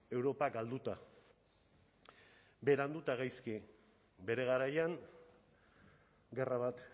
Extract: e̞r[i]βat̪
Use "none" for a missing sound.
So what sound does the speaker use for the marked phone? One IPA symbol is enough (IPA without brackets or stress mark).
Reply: a